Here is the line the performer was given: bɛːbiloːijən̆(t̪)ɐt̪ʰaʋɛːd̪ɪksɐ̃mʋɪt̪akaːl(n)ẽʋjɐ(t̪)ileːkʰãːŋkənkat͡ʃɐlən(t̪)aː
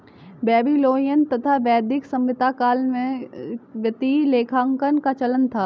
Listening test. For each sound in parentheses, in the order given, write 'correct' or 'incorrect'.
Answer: correct, incorrect: m, correct, incorrect: t̪ʰ

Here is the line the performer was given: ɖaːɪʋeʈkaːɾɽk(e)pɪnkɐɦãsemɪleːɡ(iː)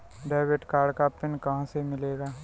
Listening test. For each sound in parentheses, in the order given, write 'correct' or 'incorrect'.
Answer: incorrect: a, incorrect: aː

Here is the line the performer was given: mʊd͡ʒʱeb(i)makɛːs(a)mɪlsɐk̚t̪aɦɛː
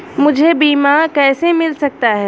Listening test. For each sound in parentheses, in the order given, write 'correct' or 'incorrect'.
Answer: incorrect: iː, incorrect: e

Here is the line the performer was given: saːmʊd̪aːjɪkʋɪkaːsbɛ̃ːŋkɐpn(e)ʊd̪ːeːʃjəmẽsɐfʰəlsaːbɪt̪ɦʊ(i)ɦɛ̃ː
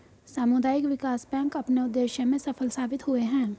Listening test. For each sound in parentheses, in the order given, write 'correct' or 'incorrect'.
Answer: correct, incorrect: e

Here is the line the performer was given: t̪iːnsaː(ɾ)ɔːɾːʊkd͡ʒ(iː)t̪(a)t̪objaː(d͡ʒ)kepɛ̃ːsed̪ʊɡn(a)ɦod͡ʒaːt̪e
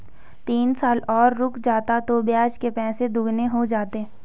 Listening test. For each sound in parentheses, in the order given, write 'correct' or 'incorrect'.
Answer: incorrect: l, incorrect: aː, correct, correct, incorrect: e

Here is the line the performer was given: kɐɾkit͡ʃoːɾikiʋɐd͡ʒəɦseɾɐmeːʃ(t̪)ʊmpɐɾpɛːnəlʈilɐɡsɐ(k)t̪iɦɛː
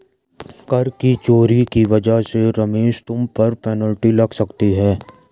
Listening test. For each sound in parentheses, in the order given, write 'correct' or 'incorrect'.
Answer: correct, correct

